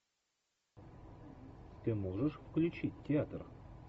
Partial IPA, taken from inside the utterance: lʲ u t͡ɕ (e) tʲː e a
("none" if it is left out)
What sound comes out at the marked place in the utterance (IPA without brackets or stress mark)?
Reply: i